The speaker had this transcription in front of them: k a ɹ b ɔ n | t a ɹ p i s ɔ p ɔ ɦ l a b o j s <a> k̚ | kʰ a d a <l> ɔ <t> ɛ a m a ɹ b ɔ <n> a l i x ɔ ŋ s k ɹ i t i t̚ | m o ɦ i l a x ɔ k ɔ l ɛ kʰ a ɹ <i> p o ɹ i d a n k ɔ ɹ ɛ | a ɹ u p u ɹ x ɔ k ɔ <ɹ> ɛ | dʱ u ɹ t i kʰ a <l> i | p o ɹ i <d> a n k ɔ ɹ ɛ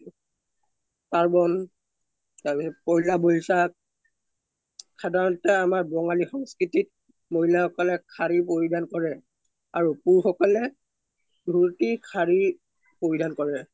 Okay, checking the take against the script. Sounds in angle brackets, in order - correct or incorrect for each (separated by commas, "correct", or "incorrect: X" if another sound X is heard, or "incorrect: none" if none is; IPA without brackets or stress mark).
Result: correct, incorrect: ɹ, correct, incorrect: ŋ, correct, incorrect: l, incorrect: ɹ, correct